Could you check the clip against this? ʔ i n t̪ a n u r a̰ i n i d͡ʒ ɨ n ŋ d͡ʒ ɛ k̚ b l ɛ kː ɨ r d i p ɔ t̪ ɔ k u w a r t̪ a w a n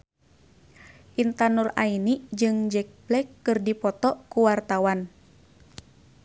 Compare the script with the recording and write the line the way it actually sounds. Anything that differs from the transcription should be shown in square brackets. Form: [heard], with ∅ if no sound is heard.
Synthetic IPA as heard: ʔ i n t̪ a n u r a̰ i n i d͡ʒ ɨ [∅] ŋ d͡ʒ ɛ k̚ b l ɛ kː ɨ r d i p ɔ t̪ ɔ k u w a r t̪ a w a n